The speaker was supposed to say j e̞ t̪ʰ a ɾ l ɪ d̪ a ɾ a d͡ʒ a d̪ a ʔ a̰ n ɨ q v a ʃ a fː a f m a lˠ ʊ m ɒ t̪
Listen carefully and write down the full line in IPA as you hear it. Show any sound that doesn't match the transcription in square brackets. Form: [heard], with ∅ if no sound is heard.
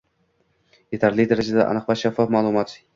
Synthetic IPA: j e̞ t̪ʰ a ɾ l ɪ d̪ a ɾ a d͡ʒ a d̪ a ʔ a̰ n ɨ q v a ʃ a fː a f m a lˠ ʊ m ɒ t̪

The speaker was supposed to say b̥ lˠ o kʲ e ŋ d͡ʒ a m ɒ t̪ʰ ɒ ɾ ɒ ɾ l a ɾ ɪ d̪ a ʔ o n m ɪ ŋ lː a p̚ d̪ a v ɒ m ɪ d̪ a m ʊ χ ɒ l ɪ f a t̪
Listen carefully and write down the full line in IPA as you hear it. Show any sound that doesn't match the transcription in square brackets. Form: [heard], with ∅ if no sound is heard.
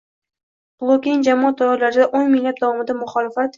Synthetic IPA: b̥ lˠ o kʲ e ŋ d͡ʒ a m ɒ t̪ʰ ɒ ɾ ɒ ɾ l a ɾ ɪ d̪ a ʔ o n m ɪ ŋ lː a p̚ d̪ a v ɒ m ɪ d̪ a m ʊ χ ɒ l ɪ f a t̪

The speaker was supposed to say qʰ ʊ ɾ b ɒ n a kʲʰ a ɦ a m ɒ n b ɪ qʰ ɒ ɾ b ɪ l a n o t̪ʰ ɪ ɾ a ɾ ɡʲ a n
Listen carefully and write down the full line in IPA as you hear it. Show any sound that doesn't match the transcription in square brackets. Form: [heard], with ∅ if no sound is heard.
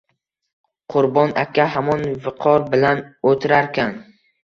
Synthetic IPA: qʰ ʊ ɾ b ɒ n a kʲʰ a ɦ a m ɒ n [v] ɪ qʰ ɒ ɾ b ɪ l a n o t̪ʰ ɪ ɾ a ɾ [kʲ] a n

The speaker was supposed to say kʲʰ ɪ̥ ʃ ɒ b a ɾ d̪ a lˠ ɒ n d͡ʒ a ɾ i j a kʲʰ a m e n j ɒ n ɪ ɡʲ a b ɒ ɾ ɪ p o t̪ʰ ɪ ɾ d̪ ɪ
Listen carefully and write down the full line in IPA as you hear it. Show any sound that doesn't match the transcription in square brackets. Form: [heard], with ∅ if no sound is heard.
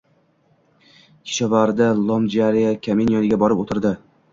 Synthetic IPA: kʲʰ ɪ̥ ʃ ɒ [v] a ɾ d̪ a lˠ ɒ [m] d͡ʒ a ɾ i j a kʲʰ a m e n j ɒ n ɪ ɡʲ a b ɒ ɾ ɪ p o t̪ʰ ɪ ɾ d̪ ɪ

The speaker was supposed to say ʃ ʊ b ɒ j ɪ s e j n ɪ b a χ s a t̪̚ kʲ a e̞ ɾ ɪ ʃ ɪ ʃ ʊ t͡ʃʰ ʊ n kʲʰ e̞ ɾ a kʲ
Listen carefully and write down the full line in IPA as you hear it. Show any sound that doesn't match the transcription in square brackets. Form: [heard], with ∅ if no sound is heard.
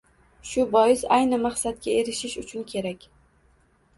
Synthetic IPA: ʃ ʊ b ɒ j ɪ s [a] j n ɪ [m] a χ s a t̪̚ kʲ a e̞ ɾ ɪ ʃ ɪ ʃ ʊ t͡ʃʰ ʊ n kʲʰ e̞ ɾ a kʲ

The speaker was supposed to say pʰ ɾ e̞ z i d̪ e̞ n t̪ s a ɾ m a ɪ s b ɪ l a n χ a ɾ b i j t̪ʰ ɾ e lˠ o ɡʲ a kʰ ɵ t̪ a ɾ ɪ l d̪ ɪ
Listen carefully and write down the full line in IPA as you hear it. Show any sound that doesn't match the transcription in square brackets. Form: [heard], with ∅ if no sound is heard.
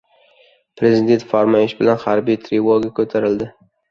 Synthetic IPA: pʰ ɾ e̞ z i d̪ e̞ n t̪ [f] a ɾ m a ɪ [ʃ] b ɪ l a n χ a ɾ b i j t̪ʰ ɾ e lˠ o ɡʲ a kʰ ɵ [t̪ʰ] a ɾ ɪ l d̪ ɪ

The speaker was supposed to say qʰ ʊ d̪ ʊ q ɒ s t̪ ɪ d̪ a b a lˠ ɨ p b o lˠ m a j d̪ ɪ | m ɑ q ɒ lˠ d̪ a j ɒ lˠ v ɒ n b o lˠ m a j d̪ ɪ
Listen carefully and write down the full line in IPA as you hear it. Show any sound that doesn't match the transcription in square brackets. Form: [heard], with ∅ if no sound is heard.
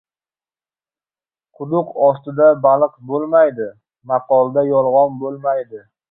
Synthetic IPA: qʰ ʊ d̪ ʊ q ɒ s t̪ ɪ d̪ a b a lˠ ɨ [q] b o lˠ m a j d̪ ɪ | m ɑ q ɒ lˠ d̪ a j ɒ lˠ [ʁ] ɒ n b o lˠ m a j d̪ ɪ

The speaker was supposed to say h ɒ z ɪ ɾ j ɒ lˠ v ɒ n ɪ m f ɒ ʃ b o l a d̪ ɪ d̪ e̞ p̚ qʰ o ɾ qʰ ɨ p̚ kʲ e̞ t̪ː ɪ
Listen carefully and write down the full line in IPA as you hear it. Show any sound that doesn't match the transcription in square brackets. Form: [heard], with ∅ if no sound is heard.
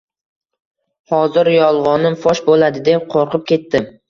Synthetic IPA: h ɒ z ɪ ɾ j ɒ lˠ [ʁ] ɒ n ɪ m f ɒ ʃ b o l a d̪ ɪ d̪ e̞ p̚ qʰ o ɾ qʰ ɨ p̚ kʲ e̞ t̪ː ɪ

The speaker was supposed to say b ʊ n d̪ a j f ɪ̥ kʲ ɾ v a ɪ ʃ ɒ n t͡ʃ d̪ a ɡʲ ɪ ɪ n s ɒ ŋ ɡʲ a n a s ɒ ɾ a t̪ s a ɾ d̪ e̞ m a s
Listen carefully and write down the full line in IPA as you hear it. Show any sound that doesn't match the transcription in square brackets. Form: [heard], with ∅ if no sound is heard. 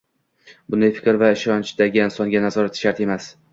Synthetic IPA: b ʊ n d̪ a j f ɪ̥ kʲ ɾ v a ɪ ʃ ɒ n t͡ʃ d̪ a ɡʲ ɪ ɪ n s ɒ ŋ ɡʲ a n a [z] ɒ ɾ a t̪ [ʃ] a ɾ [t̪] e̞ m a s

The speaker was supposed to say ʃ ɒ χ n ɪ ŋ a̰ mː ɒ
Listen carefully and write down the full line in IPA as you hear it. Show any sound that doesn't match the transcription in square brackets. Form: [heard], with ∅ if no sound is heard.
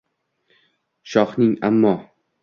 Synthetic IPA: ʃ ɒ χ n ɪ ŋ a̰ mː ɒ

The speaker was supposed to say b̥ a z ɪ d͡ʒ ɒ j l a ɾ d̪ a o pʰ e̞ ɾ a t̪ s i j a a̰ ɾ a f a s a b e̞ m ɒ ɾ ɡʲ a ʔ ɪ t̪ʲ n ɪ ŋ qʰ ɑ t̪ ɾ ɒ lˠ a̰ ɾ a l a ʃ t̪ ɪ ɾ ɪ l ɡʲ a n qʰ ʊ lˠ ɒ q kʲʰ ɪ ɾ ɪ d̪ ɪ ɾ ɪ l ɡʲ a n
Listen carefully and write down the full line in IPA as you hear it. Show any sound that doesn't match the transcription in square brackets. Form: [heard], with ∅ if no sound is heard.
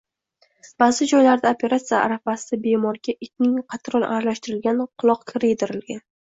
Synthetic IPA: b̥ a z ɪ d͡ʒ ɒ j l a ɾ d̪ a o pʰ e̞ ɾ a t̪ s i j a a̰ ɾ a f a s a b e̞ m ɒ ɾ ɡʲ a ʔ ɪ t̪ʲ n ɪ ŋ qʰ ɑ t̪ ɾ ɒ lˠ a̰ ɾ a l a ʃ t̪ ɪ ɾ ɪ l ɡʲ a n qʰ ʊ lˠ ɒ q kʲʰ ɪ ɾ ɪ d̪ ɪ ɾ ɪ l ɡʲ a n

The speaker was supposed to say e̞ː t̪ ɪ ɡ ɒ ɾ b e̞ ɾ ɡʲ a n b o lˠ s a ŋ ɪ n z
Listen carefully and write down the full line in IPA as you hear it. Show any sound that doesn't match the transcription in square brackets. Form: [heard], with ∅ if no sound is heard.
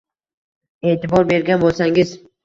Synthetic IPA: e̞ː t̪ ɪ [b] ɒ ɾ b e̞ ɾ ɡʲ a n b o lˠ s a ŋ ɪ [∅] z

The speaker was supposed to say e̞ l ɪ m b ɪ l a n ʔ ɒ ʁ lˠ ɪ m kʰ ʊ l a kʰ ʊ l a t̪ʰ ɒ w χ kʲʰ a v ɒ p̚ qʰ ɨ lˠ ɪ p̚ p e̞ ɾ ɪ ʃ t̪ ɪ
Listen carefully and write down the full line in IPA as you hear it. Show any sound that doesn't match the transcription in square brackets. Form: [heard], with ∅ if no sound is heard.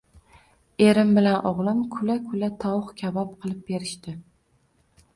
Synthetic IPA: e̞ [ɾ] ɪ m b ɪ l a n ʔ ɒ ʁ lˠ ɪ m kʰ ʊ l a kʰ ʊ l a t̪ʰ ɒ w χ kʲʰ a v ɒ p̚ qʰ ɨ lˠ ɪ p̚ [b] e̞ ɾ ɪ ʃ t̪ ɪ

